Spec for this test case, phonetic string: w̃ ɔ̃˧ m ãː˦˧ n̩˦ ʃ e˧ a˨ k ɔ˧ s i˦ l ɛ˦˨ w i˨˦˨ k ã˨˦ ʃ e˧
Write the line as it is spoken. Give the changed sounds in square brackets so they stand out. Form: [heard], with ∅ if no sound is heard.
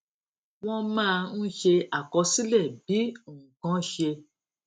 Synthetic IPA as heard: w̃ ɔ̃˧ m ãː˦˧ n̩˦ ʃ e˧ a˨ k ɔ˧ s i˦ l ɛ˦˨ [b] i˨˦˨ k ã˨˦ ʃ e˧